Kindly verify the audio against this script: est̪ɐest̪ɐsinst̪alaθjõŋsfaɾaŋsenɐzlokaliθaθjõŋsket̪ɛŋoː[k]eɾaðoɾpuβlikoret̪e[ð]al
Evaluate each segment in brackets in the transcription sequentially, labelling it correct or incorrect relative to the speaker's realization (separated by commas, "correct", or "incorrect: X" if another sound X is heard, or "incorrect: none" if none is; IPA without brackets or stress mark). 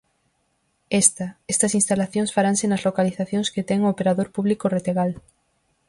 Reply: incorrect: p, incorrect: ɣ